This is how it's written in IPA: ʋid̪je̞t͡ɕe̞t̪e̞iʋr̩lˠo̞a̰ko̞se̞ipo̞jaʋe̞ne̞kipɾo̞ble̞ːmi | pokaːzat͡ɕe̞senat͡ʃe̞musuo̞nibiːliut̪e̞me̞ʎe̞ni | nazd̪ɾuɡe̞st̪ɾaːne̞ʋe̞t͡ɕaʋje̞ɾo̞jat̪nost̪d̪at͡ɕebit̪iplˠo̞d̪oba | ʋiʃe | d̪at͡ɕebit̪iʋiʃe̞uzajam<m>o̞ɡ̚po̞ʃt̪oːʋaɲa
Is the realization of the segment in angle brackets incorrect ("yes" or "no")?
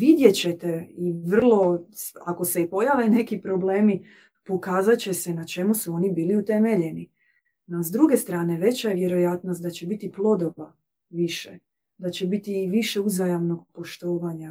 yes